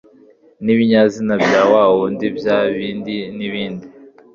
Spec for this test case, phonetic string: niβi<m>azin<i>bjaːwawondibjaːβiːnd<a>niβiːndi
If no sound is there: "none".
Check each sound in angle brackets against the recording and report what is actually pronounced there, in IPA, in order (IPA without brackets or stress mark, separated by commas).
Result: ɲ, a, i